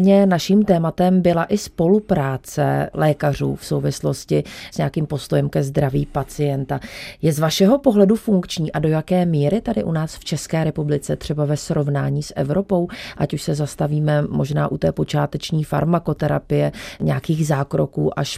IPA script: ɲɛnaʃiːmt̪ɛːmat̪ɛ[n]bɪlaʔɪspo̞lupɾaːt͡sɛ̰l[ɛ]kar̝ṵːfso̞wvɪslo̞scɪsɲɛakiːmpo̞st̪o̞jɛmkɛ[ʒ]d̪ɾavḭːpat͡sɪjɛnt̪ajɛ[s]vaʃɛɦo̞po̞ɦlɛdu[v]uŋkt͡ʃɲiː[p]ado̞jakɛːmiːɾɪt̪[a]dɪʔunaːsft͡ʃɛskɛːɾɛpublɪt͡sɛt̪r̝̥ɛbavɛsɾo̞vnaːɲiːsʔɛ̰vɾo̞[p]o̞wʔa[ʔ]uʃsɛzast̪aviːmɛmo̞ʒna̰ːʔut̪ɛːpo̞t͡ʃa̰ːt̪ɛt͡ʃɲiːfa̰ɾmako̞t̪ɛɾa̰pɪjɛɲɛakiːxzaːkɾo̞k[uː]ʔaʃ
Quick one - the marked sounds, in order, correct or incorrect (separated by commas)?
incorrect, incorrect, incorrect, incorrect, incorrect, incorrect, correct, correct, incorrect, correct